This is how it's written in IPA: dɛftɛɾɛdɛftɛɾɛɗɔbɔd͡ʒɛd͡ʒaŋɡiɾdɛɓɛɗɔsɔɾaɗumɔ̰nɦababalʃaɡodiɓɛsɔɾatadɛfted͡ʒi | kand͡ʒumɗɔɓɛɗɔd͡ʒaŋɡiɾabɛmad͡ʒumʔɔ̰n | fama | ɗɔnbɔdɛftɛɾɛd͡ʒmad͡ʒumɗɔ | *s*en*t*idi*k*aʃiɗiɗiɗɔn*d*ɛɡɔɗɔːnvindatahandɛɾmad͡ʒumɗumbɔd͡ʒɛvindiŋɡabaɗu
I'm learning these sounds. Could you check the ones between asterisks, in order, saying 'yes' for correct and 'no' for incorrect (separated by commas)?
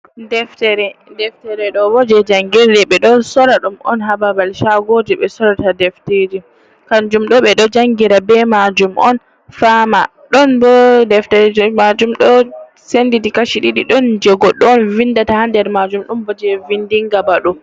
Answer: yes, no, yes, no